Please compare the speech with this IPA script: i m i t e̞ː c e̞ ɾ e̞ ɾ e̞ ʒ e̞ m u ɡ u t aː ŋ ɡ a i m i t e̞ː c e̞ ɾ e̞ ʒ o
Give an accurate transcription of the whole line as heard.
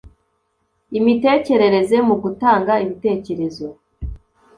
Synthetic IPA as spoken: i m i t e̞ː c e̞ ɾ e̞ ɾ e̞ z e̞ m u ɡ u t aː ŋ ɡ a i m i t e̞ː c e̞ ɾ e̞ z o